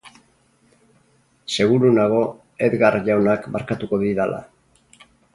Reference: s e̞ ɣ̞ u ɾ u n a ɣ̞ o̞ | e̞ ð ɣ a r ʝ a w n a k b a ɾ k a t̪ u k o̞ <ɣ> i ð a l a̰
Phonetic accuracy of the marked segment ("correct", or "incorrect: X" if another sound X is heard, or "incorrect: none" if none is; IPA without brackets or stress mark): incorrect: ð